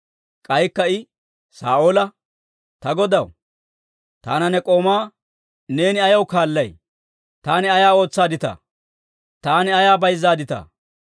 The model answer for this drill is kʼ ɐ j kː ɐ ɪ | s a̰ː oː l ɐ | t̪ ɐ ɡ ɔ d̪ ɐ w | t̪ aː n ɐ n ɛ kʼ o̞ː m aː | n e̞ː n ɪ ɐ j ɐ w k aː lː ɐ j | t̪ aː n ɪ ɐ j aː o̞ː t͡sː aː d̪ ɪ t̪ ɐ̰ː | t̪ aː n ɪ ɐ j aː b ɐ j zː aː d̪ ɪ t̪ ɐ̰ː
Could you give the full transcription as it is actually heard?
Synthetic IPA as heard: kʼ ɐ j kː ɐ ɪ | s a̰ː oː l ɐ | t̪ ɐ ɡ ɔ d̪ ɐ w | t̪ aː n ɐ n ɛ kʼ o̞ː m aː | n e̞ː n ɪ ɐ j ɐ w k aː lː ɐ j | t̪ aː n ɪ ɐ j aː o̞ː t͡sː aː d̪ ɪ t̪ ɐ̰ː | t̪ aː n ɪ ɐ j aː b ɐ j zː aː d̪ ɪ t̪ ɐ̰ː